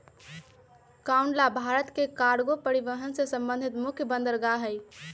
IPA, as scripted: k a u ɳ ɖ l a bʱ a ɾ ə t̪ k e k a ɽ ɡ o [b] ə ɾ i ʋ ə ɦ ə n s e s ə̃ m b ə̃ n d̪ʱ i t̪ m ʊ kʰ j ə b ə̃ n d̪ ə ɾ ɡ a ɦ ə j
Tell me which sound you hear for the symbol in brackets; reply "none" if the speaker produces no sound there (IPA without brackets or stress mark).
p